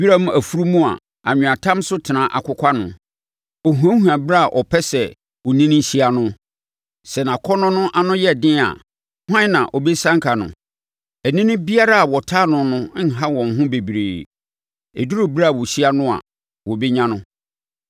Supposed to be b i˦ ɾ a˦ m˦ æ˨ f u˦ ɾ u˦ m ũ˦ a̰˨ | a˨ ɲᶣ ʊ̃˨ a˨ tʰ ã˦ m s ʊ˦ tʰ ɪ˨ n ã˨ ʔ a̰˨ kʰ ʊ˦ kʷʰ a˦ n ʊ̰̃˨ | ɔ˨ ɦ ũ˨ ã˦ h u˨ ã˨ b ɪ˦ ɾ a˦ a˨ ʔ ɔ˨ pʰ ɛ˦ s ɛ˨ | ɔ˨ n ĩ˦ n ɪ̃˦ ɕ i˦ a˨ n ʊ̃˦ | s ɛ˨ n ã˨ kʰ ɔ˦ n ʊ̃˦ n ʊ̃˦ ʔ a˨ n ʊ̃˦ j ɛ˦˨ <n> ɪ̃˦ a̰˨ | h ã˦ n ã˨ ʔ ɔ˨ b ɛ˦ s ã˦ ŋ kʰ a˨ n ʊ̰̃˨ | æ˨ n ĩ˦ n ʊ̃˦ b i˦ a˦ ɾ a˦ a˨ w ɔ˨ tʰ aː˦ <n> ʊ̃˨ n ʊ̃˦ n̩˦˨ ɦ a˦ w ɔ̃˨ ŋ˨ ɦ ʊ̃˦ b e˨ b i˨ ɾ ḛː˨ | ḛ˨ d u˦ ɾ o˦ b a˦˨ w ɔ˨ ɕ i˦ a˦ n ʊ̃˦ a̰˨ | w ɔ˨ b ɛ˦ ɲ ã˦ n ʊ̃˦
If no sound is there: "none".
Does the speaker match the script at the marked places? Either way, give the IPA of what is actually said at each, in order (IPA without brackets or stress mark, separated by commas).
d, n